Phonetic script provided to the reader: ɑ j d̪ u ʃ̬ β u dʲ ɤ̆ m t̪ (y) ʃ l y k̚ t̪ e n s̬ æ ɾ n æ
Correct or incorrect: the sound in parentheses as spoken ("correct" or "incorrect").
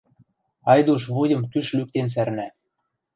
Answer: correct